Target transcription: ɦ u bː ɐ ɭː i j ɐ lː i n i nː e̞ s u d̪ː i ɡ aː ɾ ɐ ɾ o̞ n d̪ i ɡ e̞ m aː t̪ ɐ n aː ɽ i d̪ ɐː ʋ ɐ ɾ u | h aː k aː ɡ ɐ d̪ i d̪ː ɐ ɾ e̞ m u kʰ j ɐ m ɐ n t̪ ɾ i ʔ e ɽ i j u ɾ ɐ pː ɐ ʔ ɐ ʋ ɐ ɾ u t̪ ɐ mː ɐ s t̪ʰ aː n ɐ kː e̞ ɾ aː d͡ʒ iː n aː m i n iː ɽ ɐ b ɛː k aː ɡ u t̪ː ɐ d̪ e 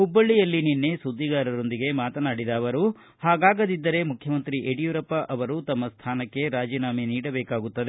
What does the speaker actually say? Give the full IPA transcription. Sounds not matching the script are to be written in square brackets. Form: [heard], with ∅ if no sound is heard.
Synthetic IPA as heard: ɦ u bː ɐ ɭː i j ɐ lː i n i nː e̞ s u d̪ː i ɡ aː ɾ ɐ ɾ o̞ n d̪ i ɡ e̞ m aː t̪ ɐ n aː ɽ i d̪ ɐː ʋ ɐ ɾ u | h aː [ɡ] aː ɡ ɐ d̪ i d̪ː ɐ ɾ e̞ m u kʰ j ɐ m ɐ n t̪ ɾ i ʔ e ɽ i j u ɾ ɐ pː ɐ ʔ ɐ ʋ ɐ ɾ u t̪ ɐ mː ɐ s t̪ʰ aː n ɐ kː e̞ ɾ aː d͡ʒ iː n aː m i n iː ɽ ɐ b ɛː k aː ɡ u t̪ː ɐ d̪ e